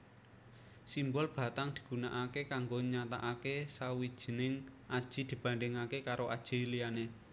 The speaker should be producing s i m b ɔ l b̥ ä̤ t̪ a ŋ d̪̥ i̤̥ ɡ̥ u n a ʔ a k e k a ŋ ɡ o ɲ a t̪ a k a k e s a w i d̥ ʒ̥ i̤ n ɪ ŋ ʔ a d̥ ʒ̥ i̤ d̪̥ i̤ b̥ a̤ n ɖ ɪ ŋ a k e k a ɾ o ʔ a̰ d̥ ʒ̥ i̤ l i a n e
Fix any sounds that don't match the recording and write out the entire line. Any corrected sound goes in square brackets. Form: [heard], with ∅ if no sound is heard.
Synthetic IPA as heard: s i m b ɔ l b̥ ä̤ t̪ a ŋ d̪̥ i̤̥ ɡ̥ u n a ʔ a k e k a ŋ ɡ o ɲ a t̪ a [ʔ] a k e s a w i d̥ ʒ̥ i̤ n ɪ ŋ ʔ a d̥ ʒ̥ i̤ d̪̥ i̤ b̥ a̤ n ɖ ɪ ŋ a k e k a ɾ o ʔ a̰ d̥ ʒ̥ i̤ l i a n e